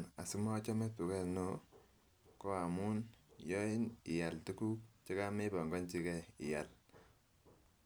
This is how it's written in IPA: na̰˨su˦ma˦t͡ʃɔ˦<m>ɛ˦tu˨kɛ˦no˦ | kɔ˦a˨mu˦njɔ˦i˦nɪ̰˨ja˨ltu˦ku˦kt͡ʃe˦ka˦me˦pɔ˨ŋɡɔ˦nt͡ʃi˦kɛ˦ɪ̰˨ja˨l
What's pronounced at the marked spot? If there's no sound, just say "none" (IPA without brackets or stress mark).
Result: m